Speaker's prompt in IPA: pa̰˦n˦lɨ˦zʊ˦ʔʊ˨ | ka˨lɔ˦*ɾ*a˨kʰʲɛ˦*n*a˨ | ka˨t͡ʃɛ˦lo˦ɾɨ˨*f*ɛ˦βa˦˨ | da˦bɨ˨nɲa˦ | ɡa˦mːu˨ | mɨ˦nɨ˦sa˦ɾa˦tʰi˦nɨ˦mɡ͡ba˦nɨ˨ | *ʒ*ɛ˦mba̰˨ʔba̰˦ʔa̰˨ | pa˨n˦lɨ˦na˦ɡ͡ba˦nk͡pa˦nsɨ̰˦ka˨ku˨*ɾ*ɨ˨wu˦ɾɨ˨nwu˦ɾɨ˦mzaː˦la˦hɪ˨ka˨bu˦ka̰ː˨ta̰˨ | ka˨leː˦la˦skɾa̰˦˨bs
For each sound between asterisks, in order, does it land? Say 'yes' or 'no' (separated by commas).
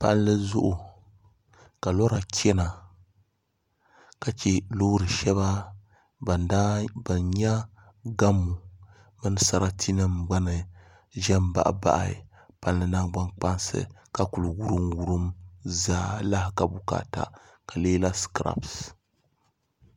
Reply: yes, yes, no, yes, no